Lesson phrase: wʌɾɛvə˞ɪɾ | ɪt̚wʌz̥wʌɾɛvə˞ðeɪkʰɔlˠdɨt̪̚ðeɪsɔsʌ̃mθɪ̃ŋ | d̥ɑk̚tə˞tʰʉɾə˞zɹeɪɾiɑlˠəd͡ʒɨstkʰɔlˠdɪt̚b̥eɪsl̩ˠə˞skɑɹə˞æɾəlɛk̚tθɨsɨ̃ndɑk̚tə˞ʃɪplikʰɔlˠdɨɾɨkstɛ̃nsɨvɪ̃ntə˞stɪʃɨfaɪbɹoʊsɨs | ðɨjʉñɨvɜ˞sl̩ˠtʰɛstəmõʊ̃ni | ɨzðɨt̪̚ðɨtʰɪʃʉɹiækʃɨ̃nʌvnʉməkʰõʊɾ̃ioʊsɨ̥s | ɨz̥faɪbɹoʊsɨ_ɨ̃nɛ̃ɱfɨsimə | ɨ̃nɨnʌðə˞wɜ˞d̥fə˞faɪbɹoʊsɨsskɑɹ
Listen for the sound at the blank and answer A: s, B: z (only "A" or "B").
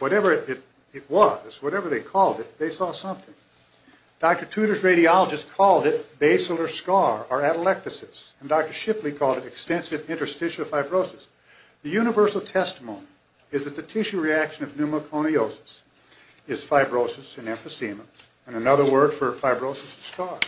A